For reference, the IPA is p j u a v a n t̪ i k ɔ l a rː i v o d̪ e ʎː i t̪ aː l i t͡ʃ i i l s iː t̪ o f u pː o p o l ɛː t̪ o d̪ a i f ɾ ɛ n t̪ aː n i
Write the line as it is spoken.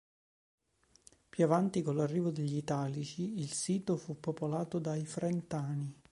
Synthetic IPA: p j u a v a n t̪ i k o l a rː iː v o d̪ e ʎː i t̪ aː l i t͡ʃ i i l s iː t̪ o f u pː o p o l aː t̪ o d̪ a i f ɾ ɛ n t̪ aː n i